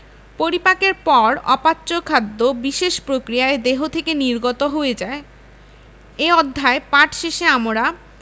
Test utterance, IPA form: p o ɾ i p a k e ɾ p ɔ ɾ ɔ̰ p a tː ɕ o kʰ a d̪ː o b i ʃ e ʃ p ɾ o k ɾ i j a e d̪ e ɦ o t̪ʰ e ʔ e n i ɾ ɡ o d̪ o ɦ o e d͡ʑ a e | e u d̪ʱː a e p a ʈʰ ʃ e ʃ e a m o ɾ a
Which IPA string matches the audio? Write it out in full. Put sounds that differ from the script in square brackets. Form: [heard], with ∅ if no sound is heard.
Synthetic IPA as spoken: p o ɾ i p a k e ɾ p ɔ ɾ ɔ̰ p a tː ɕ o kʰ a d̪ː o b i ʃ e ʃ p ɾ o k ɾ i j a e d̪ e ɦ o t̪ʰ e [k] e n i ɾ ɡ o [t̪] o ɦ o e d͡ʑ a e | e [ɔ] d̪ʱː a e p a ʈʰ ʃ e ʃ e a m o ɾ a